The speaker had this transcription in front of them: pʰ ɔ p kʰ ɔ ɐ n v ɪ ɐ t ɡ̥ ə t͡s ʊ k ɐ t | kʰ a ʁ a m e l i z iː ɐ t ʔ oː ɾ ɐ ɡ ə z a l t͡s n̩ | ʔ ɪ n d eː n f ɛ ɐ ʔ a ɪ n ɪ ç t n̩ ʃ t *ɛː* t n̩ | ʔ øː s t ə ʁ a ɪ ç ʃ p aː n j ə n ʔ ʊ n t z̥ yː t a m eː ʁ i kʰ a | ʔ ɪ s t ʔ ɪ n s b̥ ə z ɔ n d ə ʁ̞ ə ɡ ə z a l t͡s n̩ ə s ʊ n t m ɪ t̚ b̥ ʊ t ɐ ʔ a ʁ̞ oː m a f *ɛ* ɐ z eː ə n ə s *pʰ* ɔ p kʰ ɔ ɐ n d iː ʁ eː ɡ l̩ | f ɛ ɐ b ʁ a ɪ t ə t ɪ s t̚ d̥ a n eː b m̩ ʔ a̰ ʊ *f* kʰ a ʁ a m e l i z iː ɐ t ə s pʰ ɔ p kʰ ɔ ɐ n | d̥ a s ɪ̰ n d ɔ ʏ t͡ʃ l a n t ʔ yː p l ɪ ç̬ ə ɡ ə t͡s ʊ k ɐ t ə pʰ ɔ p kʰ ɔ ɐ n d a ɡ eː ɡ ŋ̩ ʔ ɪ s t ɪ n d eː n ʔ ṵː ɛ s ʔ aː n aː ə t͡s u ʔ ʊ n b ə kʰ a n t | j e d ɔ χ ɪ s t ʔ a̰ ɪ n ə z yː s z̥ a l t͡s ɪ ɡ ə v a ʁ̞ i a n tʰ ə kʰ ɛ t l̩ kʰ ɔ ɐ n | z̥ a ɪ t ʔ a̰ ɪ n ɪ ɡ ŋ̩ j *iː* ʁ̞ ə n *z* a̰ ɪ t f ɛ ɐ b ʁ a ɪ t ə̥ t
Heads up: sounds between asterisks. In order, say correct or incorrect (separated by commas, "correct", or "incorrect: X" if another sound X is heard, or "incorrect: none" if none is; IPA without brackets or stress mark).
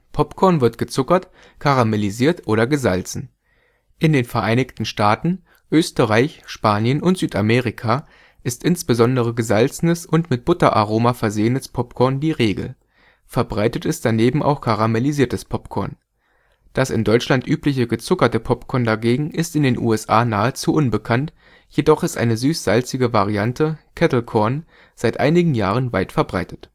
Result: incorrect: aː, correct, correct, incorrect: x, incorrect: aː, incorrect: v